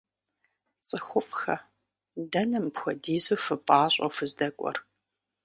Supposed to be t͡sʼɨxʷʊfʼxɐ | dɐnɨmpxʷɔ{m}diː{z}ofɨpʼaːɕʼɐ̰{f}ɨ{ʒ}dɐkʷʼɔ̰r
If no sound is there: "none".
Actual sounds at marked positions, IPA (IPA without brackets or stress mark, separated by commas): none, z, f, z